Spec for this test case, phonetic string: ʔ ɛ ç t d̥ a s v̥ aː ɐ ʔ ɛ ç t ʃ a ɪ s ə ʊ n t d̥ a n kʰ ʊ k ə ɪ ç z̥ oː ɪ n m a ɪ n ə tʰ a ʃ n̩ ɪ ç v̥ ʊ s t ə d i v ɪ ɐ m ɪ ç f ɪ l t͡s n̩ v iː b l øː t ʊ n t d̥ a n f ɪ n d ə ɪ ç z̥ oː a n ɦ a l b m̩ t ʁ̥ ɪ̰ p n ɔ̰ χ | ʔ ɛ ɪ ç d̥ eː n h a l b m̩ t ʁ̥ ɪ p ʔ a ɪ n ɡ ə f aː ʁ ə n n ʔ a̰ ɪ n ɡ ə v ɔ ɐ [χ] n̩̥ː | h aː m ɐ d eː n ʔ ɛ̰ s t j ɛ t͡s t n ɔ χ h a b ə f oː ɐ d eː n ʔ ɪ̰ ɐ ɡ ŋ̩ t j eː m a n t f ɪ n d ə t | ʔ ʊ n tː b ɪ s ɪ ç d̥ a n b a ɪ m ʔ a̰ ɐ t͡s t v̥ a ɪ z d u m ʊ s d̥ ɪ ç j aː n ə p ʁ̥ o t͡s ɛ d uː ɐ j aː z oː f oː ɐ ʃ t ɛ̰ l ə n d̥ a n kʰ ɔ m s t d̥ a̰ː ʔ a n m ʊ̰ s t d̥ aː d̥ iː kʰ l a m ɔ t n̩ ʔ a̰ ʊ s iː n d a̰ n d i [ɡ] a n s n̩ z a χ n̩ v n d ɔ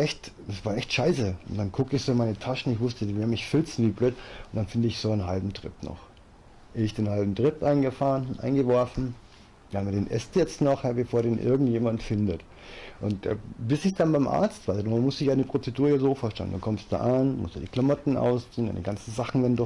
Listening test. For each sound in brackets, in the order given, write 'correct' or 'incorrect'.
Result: incorrect, correct

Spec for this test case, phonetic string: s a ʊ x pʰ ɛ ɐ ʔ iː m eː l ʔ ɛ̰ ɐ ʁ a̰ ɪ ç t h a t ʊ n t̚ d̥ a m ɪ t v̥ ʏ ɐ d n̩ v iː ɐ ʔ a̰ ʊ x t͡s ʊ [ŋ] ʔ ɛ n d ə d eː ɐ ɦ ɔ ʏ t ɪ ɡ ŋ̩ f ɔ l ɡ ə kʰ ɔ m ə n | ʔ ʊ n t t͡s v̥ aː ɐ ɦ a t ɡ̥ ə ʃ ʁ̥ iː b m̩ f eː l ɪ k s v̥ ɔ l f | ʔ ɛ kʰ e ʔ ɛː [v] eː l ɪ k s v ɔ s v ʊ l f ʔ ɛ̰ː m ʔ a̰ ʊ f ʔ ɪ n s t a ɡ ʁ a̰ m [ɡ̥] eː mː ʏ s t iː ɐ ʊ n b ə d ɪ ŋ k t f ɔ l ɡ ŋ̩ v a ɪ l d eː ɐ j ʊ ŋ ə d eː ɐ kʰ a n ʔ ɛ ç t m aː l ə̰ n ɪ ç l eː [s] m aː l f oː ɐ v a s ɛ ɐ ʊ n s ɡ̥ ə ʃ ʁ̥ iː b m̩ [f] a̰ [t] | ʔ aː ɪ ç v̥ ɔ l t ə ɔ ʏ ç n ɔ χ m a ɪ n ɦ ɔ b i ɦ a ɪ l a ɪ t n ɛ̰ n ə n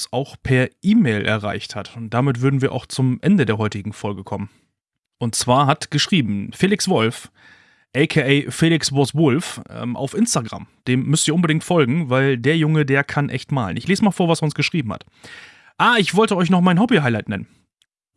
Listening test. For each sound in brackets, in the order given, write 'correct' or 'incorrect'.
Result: incorrect, incorrect, incorrect, correct, incorrect, correct

